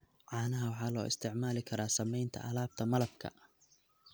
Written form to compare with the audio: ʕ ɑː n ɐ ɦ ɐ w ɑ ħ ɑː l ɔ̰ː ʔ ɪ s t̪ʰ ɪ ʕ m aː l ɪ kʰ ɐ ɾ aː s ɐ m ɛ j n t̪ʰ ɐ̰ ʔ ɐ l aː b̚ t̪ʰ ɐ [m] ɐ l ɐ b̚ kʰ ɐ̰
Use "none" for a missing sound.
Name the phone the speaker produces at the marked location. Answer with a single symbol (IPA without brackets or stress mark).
m